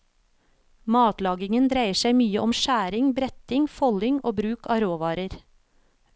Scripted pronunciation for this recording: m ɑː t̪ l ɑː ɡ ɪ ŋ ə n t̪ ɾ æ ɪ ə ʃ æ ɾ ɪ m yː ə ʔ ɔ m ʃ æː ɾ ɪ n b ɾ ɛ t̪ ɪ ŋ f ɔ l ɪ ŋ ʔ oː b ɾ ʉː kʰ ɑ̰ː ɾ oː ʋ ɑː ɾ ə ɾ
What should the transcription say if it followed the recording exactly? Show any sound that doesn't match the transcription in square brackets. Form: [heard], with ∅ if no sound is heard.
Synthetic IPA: m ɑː t̪ l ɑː ɡ ɪ ŋ ə n [d̪] ɾ æ ɪ ə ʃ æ [∅] ɪ m yː ə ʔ ɔ m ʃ æː ɾ ɪ [ŋ] b ɾ ɛ t̪ ɪ ŋ f ɔ l ɪ ŋ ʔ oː b ɾ ʉː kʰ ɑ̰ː ɾ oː ʋ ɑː ɾ ə ɾ